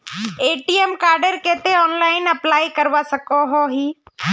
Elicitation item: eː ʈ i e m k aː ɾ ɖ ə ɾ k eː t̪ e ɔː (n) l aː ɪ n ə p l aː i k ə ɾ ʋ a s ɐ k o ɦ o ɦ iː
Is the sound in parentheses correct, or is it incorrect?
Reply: correct